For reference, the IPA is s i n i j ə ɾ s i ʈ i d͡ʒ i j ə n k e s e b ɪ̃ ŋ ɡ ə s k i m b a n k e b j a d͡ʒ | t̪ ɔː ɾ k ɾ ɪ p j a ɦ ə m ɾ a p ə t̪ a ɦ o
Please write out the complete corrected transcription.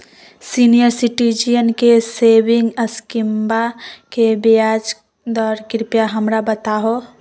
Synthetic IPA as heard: s i n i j ə ɾ s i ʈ i d͡ʒ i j ə n k e s e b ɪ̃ ŋ ɡ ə s k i m b a k e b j a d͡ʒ | d̪ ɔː ɾ k ɾ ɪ p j a ɦ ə m ɾ a b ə t̪ a ɦ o